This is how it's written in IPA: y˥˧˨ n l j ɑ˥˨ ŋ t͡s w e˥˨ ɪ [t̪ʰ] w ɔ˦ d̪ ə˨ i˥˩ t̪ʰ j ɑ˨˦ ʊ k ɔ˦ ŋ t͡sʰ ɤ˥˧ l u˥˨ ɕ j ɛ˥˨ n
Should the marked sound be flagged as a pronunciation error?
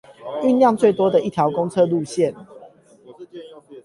yes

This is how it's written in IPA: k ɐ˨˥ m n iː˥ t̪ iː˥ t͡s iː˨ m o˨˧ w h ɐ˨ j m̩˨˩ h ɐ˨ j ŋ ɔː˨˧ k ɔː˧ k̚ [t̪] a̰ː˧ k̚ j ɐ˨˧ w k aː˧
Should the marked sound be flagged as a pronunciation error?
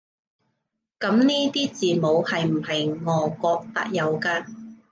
no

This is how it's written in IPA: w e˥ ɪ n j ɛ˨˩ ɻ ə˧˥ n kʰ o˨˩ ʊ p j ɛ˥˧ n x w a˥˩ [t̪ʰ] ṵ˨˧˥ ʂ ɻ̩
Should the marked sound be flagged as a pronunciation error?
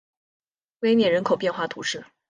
no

